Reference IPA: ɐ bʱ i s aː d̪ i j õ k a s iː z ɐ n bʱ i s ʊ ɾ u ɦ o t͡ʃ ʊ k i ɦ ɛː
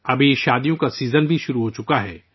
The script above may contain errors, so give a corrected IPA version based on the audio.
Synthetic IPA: ɐ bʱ i ʃ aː d̪ i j õ k a s iː z ə n bʱ i ʃ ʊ ɾ u ɦ o t͡ʃ ʊ k a ɦ ɛː